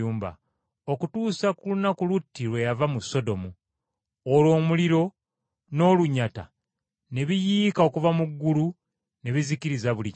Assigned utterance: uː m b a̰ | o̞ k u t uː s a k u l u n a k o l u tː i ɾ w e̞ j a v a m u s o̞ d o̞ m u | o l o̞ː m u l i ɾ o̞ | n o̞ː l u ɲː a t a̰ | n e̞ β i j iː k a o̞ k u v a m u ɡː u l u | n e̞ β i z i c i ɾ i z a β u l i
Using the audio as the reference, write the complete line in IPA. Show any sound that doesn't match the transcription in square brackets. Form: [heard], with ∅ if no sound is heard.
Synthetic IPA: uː m b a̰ | o̞ k u t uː s a k u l u n a k [u] l u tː i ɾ w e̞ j a v a m u s o̞ d o̞ m u | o l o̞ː m u l i ɾ o̞ | n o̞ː l u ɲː a t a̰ | n e̞ β i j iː k a o̞ k u v a m u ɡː u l u | n e̞ β i z i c i ɾ i z a β u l i